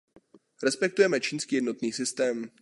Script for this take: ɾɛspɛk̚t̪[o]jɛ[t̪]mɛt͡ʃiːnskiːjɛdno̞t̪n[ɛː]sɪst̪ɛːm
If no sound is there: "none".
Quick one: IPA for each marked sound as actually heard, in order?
u, none, iː

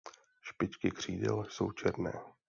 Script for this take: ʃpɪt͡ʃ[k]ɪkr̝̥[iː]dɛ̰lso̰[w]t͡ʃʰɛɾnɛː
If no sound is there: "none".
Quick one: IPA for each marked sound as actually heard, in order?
k, iː, w

